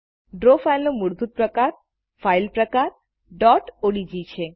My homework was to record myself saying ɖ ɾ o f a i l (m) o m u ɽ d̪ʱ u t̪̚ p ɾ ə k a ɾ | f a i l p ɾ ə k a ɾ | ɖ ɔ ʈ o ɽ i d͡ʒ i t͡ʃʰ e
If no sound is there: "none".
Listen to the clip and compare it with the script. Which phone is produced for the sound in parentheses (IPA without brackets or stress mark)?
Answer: n